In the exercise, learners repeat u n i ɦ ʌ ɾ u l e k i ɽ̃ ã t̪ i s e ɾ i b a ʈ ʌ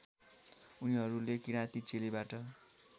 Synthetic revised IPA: u n i ɦ ʌ ɾ u l e k i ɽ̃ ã t̪ i t͡s e l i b a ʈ ʌ